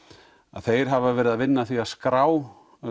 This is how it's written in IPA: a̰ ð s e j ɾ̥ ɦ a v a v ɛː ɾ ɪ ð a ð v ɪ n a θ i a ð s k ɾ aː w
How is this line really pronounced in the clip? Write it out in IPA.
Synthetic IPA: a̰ ð θ e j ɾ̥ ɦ a v a v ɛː ɾ ɪ ð a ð v ɪ nː a θ i a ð s k ɾ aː w